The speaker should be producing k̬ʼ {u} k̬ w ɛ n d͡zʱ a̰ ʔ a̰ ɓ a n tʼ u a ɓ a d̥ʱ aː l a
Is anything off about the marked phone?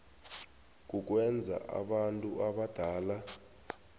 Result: no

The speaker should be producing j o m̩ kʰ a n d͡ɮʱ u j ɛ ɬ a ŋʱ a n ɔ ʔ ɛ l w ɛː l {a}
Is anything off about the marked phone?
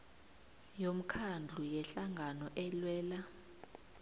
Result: no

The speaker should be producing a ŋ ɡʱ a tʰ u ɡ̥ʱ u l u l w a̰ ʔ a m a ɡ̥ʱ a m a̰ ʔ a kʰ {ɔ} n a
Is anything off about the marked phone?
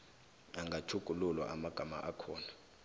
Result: yes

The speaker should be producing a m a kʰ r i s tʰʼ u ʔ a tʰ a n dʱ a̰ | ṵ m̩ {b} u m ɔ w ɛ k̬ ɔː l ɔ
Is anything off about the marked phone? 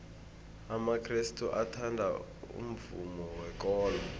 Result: yes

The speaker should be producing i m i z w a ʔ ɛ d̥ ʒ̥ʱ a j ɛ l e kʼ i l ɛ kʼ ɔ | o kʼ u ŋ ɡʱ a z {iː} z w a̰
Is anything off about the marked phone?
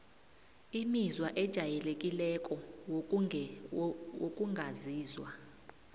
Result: no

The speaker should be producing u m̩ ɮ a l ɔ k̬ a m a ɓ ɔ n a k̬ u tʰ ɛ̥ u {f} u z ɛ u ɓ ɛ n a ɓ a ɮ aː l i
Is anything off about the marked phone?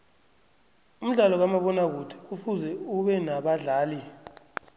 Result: no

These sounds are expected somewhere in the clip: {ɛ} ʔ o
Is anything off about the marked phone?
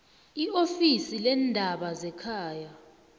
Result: yes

